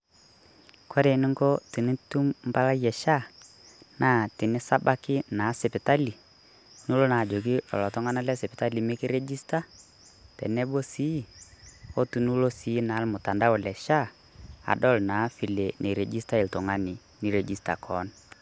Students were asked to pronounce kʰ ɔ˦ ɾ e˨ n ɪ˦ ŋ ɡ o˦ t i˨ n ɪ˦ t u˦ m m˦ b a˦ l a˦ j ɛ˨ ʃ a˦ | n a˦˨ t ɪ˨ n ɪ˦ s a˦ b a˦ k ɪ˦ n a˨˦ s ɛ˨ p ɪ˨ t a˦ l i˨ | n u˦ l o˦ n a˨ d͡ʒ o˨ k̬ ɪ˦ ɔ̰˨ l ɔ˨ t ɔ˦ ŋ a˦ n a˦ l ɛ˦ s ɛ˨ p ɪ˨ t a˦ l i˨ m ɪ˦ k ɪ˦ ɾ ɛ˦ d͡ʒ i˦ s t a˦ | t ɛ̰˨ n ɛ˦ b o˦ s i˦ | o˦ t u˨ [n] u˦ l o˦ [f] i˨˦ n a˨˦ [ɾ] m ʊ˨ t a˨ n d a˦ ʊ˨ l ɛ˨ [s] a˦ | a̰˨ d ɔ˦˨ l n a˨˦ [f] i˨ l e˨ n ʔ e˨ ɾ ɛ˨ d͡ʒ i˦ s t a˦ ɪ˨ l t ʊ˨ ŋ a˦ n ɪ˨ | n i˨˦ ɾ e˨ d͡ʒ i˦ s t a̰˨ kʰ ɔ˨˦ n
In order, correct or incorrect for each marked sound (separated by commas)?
correct, incorrect, incorrect, incorrect, correct